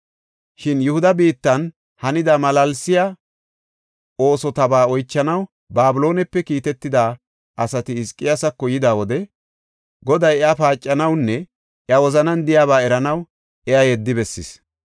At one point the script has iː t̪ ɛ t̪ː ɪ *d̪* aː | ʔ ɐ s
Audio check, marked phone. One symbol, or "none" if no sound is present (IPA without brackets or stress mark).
d̪